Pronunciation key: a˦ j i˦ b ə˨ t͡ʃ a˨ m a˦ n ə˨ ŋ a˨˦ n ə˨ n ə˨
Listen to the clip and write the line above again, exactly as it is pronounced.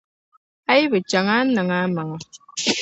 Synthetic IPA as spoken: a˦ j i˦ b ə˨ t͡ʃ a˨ ŋ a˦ n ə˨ ŋ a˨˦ m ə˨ ŋ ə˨